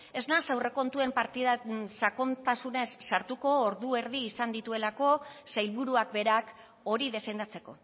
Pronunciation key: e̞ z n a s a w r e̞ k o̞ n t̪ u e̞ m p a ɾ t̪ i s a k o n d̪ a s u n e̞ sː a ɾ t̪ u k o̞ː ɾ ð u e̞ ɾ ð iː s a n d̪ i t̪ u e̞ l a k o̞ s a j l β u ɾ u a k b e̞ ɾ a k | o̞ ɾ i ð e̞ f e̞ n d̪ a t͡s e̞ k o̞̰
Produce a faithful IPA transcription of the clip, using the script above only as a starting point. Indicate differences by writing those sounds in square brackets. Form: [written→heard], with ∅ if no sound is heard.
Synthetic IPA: e̞ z n a s a w r e̞ k o̞ n t̪ u e̞ m p a ɾ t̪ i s a k o n [d̪→t̪] a s u n e̞ sː a ɾ t̪ u k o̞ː ɾ ð u e̞ ɾ ð iː s a n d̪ i t̪ u e̞ l a k o̞ s a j l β u ɾ u a k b e̞ ɾ a k | o̞ ɾ i ð e̞ f e̞ n d̪ a t͡s e̞ k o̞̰